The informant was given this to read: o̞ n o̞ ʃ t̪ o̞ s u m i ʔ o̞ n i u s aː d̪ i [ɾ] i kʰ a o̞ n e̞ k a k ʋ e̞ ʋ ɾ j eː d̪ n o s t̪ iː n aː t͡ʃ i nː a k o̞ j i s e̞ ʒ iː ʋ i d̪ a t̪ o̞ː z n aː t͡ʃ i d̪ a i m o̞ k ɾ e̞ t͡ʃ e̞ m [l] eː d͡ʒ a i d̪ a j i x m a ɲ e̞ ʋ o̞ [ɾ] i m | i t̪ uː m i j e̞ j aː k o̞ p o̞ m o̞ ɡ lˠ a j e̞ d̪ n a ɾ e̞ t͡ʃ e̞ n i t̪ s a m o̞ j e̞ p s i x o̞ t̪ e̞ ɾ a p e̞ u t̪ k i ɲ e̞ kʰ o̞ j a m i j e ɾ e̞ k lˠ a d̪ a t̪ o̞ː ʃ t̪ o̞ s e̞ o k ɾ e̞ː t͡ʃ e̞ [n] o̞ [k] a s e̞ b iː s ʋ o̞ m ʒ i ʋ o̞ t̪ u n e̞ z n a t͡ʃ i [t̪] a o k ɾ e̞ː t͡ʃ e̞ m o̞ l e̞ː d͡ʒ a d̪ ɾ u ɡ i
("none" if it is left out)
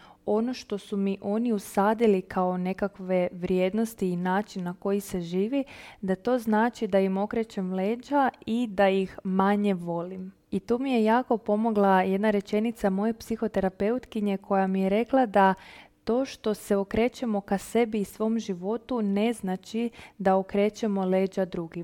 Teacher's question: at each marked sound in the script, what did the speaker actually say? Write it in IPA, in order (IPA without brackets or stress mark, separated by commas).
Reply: l, l, l, m, k, d̪